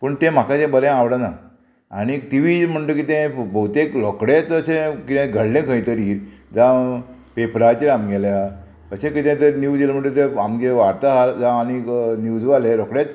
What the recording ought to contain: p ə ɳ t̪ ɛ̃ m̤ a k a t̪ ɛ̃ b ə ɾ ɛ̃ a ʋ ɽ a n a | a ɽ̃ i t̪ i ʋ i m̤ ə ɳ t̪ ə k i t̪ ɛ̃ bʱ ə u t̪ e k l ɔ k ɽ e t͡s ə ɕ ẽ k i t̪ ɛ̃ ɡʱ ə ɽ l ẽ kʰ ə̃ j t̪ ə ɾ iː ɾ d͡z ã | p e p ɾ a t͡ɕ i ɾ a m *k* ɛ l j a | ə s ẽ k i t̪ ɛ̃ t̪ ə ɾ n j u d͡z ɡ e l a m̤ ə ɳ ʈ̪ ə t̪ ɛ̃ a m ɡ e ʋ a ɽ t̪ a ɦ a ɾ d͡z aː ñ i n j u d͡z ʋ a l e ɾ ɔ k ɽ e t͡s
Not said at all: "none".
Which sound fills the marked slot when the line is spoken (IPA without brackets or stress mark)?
ɡ